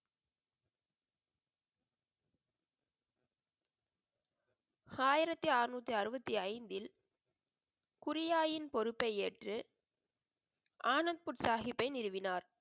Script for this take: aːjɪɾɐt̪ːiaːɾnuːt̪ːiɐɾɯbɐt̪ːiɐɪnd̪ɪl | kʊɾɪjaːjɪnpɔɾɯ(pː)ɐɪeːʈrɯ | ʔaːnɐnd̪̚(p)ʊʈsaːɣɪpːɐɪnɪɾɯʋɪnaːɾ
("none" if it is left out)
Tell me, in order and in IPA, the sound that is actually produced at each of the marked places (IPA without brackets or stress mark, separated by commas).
pː, p